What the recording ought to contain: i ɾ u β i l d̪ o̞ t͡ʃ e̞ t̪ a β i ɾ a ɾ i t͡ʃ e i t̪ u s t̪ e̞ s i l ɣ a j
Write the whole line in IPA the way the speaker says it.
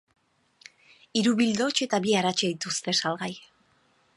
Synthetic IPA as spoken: i ɾ u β i l d̪ o̞ t͡ʃ e̞ t̪ a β i a ɾ a t͡ʃ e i t̪ u s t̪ e̞ s a l ɣ a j

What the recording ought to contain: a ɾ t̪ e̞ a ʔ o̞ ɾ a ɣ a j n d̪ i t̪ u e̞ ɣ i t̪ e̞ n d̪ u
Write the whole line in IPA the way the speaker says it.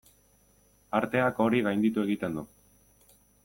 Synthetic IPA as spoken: a ɾ t̪ e̞ a k o̞ ɾ i ɣ a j n d̪ i t̪ u e̞ ɣ i t̪ e̞ n d̪ u

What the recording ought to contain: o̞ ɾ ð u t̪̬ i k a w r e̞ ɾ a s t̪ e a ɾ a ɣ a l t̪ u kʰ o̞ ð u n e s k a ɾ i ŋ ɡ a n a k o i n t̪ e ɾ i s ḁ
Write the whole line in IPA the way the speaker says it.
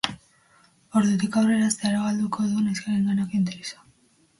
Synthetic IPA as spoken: o̞ ɾ ð u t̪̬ i k a w r e̞ ɾ a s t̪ e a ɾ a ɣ a l d̪ u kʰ o̞ ð u n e s k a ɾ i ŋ ɡ a n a k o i n t̪ e ɾ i s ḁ

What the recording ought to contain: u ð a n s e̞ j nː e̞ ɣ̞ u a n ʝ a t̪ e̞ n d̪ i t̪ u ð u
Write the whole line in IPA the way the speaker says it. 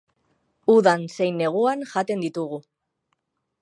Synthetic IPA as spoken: u ð a n s e̞ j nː e̞ ɣ̞ u a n ʝ a t̪ e̞ n d̪ i t̪ u ɣ u

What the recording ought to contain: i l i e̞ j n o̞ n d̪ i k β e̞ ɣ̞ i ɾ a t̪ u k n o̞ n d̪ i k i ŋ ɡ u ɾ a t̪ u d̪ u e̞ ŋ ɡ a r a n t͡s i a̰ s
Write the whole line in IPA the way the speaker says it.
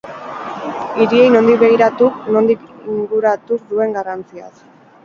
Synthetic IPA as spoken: i ɾ i e̞ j n o̞ n d̪ i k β e̞ ɣ̞ i ɾ a t̪ u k n o̞ n d̪ i k i ŋ ɡ u ɾ a t̪ u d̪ u e̞ ŋ ɡ a r a n t͡s i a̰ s

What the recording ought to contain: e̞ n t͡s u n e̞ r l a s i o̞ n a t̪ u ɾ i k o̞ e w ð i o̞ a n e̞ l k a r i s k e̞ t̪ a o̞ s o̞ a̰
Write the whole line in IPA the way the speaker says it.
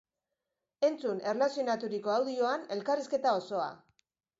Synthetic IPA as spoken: e̞ n t͡s u n e̞ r l a s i o̞ n a t̪ u ɾ i k o̞ a w ð i o̞ a n e̞ l k a r i s k e̞ t̪ a o̞ s o̞ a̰

